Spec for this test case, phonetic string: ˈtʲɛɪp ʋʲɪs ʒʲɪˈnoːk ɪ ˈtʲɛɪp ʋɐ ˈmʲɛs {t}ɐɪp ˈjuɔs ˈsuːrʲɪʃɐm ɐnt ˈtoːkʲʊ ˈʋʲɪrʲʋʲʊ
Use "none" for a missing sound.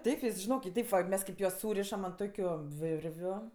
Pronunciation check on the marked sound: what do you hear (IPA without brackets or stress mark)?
k